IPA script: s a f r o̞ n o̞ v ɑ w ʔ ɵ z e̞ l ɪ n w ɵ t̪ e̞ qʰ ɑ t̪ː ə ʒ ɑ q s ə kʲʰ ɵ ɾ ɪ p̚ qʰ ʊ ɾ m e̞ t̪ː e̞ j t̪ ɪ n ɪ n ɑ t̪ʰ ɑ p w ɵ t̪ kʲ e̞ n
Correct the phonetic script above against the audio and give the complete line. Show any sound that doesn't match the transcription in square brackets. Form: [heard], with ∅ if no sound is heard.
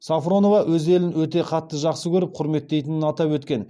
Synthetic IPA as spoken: s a f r o̞ n o̞ v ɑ w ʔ ɵ z e̞ l ɪ n w ɵ t̪ e̞ qʰ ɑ t̪ː ə ʒ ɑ q s ə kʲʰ ɵ ɾ ɪ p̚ qʰ ʊ ɾ m e̞ t̪ː e̞ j t̪ ɪ n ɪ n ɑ [t̪] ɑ p w ɵ t̪ kʲ e̞ n